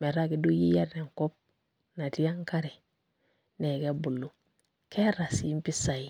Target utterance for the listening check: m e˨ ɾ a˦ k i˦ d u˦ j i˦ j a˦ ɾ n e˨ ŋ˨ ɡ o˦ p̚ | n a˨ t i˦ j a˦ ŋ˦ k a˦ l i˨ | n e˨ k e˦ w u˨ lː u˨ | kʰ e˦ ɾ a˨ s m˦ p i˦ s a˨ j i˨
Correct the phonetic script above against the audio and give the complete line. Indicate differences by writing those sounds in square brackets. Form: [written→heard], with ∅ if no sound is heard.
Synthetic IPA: m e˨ ɾ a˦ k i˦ d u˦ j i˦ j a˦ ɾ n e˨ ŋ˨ [ɡ→k] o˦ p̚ | n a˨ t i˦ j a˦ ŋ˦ k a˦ [l→ɾ] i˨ | n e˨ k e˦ [w→b] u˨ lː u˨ | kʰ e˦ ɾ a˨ s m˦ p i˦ s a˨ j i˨